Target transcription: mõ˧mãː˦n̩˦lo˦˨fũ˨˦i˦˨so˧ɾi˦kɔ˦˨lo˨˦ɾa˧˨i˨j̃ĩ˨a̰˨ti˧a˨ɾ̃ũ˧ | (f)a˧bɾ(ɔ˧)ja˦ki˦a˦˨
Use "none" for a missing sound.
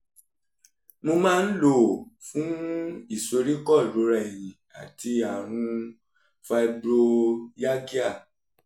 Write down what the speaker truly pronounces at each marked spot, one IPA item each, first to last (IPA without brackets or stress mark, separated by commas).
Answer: f, o˧